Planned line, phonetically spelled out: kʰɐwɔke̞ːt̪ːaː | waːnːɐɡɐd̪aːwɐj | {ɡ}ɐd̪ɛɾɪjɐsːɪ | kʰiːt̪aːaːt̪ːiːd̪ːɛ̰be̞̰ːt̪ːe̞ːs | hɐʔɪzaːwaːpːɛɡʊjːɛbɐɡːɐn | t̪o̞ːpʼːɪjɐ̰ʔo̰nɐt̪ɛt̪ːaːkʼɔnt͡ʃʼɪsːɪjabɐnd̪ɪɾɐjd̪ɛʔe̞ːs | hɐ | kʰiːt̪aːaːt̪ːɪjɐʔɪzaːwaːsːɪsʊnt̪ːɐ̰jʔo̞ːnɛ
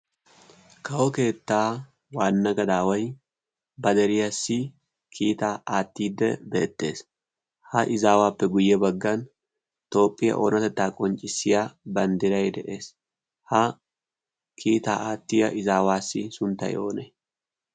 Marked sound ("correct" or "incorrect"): incorrect